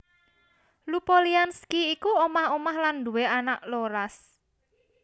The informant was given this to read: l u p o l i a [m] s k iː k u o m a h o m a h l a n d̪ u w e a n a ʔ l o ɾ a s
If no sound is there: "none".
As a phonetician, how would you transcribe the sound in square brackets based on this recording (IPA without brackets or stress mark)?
n